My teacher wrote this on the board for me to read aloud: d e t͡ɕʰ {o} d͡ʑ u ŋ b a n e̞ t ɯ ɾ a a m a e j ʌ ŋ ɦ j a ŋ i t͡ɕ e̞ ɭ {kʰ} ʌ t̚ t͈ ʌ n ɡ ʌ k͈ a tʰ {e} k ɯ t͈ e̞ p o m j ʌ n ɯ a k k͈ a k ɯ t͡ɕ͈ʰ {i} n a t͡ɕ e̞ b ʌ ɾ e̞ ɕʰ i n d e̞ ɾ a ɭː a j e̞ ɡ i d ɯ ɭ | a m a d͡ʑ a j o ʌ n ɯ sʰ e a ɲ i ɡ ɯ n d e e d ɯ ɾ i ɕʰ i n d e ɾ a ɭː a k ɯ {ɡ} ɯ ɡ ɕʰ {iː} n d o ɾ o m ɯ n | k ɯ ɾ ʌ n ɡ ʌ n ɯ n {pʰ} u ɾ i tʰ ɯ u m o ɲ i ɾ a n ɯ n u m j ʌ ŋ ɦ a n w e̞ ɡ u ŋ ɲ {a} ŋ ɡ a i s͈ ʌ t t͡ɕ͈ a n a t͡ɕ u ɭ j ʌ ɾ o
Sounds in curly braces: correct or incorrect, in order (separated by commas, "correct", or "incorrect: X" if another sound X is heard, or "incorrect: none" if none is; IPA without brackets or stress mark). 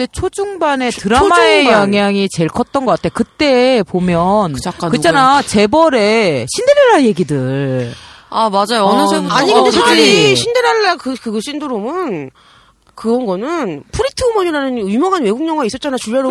correct, correct, correct, incorrect: a, incorrect: k, incorrect: i, correct, incorrect: ʌ